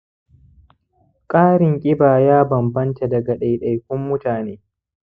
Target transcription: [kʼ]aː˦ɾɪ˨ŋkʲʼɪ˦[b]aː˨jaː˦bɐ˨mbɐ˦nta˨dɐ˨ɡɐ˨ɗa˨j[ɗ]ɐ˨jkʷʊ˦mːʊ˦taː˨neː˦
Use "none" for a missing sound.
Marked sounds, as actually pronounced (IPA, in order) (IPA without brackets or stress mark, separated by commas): kʼ, b, ɗ